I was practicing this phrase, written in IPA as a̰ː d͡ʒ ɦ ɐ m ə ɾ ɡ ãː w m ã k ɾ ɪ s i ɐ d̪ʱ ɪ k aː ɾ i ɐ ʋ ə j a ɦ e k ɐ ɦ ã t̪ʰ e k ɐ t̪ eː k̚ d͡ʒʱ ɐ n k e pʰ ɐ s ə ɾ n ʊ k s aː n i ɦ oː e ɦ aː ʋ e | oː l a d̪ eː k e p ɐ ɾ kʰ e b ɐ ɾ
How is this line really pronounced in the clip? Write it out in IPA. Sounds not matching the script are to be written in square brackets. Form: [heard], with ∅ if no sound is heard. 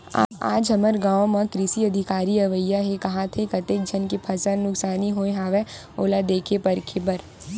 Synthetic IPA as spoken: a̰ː d͡ʒ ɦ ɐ m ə ɾ ɡ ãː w m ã k ɾ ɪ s i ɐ d̪ʱ ɪ k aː ɾ i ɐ ʋ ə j a ɦ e k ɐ ɦ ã t̪ʰ e k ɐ t̪ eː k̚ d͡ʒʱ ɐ n k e pʰ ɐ s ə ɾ n ʊ k s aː n i ɦ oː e ɦ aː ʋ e | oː l a d̪ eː [kʰ] e p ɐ ɾ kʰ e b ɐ ɾ

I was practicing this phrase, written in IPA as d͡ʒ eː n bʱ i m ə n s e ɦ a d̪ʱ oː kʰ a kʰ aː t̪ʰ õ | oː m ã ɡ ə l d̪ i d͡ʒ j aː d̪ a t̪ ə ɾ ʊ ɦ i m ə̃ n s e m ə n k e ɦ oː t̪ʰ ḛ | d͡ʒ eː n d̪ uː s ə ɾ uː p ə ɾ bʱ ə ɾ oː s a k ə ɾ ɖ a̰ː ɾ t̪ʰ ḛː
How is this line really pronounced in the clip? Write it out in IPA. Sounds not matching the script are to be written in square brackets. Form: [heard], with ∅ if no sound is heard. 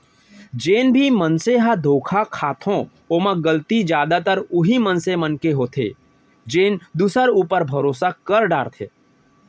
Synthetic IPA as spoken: d͡ʒ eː n bʱ i m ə n s e ɦ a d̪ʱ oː kʰ a kʰ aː t̪ʰ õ | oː m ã ɡ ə l [t̪] i d͡ʒ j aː d̪ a t̪ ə ɾ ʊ ɦ i m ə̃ n s e m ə n k e ɦ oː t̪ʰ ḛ | d͡ʒ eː n d̪ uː s ə ɾ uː p ə ɾ bʱ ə ɾ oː s a k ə ɾ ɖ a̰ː ɾ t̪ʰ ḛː

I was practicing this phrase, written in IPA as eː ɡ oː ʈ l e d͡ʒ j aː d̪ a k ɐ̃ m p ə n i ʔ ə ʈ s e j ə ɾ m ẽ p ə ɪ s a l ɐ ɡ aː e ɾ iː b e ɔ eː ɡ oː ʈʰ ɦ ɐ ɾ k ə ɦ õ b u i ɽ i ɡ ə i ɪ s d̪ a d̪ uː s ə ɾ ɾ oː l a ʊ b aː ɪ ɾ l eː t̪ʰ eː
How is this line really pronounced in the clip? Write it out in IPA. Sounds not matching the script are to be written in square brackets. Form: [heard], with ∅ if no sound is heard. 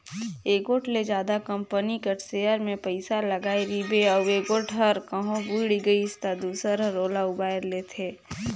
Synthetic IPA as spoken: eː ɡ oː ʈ l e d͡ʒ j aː d̪ a k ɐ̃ m p ə n i [k] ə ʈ s e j ə ɾ m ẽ p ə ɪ s a l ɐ ɡ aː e ɾ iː b e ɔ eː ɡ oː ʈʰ ɦ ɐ ɾ k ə ɦ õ b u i ɽ i ɡ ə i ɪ s [t̪] a d̪ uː s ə ɾ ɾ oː l a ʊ b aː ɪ ɾ l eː t̪ʰ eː

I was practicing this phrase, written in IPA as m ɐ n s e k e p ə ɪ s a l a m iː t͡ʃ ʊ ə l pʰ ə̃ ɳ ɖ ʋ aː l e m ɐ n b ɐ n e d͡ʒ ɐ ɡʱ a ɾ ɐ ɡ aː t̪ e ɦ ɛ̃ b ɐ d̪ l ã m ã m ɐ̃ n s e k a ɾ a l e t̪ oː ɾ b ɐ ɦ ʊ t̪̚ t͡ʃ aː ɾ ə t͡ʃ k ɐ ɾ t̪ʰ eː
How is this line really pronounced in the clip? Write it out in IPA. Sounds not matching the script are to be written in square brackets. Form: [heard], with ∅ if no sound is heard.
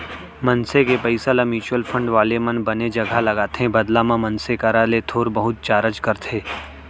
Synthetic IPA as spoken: m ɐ n s e k e p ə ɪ s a l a m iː t͡ʃ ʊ ə l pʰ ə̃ ɳ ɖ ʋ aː l e m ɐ n b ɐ n e d͡ʒ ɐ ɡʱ a [l] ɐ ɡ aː t̪ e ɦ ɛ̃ b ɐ d̪ l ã m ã m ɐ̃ n s e k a ɾ a l e [t̪ʰ] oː ɾ b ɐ ɦ ʊ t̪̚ t͡ʃ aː ɾ ə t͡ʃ k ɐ ɾ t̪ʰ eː

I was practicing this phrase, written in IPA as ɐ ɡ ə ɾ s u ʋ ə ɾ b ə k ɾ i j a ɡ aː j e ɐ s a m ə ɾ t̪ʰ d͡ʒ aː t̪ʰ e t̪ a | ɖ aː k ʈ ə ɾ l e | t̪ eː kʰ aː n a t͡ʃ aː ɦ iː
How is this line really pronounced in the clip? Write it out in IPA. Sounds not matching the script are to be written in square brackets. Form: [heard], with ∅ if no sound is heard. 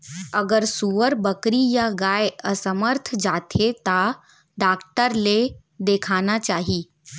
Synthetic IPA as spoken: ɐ ɡ ə ɾ s u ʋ ə ɾ b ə k ɾ i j a ɡ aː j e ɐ s [ə] m ə ɾ t̪ʰ d͡ʒ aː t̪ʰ e t̪ a | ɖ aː k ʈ ə ɾ l e | [d̪] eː kʰ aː n a t͡ʃ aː ɦ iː

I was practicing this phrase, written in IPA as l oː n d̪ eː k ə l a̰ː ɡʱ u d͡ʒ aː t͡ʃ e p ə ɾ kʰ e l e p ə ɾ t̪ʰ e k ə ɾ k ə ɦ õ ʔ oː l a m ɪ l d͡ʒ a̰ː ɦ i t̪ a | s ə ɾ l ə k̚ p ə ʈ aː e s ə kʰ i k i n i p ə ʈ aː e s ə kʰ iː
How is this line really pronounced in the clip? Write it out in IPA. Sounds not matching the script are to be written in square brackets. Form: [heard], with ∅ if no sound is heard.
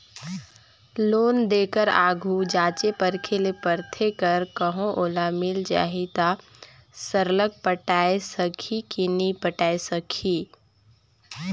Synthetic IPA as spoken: l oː n d̪ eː k ə [ɾ] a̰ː ɡʱ u d͡ʒ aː t͡ʃ e p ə ɾ kʰ e l e p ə ɾ t̪ʰ e k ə ɾ k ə ɦ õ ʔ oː l a m ɪ l d͡ʒ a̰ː ɦ i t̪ a | s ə ɾ l ə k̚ p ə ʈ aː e s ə kʰ i k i n i p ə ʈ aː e s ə kʰ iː

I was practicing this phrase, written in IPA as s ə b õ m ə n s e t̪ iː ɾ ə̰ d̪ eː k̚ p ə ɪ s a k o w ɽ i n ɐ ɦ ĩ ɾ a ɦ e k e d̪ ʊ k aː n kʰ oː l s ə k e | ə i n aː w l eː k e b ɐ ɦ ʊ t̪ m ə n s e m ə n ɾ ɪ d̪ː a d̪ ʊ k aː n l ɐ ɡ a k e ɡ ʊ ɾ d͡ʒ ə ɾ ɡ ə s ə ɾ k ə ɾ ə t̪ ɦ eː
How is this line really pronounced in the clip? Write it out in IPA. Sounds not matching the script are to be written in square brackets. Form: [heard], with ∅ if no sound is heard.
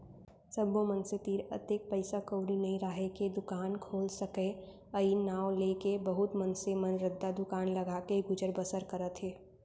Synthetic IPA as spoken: s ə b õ m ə n s e t̪ iː ɾ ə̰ [t̪] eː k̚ p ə ɪ s a k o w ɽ i n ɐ ɦ ĩ ɾ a ɦ e k e d̪ ʊ k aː n kʰ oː l s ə k e | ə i n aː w l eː k e b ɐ ɦ ʊ t̪ m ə n s e m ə n ɾ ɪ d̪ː a d̪ ʊ k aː n l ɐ ɡ a k e ɡ ʊ [∅] d͡ʒ ə ɾ [b] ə s ə ɾ k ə ɾ ə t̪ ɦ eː

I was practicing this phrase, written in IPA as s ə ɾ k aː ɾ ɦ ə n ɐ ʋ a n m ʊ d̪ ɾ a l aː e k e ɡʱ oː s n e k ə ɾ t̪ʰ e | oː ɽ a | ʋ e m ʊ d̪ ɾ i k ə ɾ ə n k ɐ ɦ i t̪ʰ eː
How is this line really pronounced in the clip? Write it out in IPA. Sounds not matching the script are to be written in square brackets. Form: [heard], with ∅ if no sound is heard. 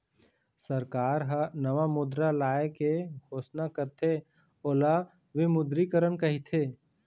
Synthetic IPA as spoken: s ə ɾ k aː ɾ ɦ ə n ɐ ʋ a [∅] m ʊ d̪ ɾ a l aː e k e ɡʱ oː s n [a] k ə ɾ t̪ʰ e | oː [l] a | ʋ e m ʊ d̪ ɾ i k ə ɾ ə n k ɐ ɦ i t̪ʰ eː

